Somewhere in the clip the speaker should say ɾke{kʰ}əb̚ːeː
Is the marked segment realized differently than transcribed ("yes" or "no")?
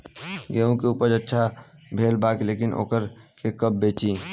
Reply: yes